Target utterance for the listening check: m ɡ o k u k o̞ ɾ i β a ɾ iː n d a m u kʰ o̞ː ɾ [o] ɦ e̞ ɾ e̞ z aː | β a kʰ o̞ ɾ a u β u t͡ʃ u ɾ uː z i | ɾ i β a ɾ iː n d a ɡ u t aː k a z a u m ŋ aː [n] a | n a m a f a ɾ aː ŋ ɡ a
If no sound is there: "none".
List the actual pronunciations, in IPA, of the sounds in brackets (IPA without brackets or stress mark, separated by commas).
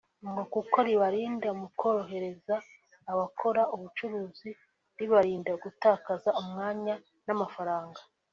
o, ɲ